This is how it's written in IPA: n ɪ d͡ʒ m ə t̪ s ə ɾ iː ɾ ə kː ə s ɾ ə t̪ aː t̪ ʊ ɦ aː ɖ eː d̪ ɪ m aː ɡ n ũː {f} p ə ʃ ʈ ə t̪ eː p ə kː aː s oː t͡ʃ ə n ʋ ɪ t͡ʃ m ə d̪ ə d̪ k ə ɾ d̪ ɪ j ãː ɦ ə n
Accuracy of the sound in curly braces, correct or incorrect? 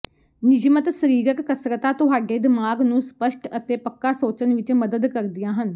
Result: incorrect